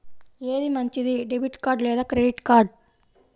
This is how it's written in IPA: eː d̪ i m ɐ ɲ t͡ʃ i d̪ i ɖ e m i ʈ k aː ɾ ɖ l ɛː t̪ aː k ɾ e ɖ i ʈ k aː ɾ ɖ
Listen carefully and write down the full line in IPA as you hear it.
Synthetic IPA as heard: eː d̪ i m ɐ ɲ t͡ʃ i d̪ i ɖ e b i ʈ k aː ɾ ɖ l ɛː d̪ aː k ɾ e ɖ i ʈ k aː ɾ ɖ